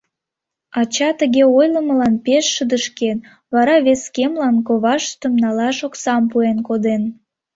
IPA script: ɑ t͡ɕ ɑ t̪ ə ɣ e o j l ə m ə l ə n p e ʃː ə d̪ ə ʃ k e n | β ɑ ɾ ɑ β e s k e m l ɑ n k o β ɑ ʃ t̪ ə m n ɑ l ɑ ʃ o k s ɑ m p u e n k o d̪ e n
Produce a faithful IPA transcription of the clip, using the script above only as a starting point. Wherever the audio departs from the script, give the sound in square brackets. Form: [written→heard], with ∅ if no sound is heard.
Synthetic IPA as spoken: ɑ t͡ɕ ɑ t̪ ə ɣ e o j l ə m ə l [ə→ɑ] n p e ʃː ə d̪ ə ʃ k e n | β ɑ ɾ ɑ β e s k e m l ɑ n k o β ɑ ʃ t̪ ə m n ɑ l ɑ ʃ o k s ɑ m p u e n k o d̪ e n